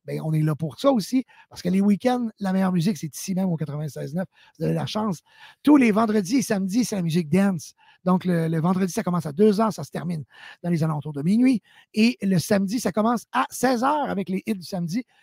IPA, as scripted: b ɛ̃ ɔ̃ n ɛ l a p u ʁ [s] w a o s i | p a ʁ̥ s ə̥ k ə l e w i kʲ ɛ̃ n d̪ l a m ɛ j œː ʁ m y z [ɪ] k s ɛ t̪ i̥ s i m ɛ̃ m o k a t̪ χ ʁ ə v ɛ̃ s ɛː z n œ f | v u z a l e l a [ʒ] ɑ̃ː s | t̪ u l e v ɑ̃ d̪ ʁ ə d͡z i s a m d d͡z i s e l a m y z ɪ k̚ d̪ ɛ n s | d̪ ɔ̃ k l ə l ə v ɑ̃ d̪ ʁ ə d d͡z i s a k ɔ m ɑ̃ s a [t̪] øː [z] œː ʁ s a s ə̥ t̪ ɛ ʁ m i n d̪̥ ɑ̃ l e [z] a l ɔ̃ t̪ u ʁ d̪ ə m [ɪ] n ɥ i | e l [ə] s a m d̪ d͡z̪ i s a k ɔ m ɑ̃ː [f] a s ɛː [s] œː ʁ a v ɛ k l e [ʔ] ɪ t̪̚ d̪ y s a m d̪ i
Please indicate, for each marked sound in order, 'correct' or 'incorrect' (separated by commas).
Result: correct, correct, incorrect, incorrect, correct, correct, incorrect, correct, incorrect, incorrect, correct